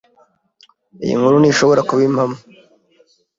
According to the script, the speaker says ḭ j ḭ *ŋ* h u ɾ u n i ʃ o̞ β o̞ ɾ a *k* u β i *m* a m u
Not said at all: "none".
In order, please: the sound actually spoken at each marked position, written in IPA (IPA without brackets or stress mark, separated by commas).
ŋ, k, m